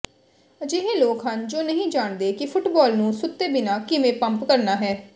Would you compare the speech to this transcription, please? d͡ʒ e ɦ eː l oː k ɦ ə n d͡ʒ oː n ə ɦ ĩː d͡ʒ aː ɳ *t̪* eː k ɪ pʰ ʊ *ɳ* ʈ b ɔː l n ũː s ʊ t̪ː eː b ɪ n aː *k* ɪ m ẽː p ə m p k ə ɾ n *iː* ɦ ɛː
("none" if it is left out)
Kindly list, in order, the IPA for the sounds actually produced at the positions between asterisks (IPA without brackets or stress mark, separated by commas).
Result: d̪, none, k, aː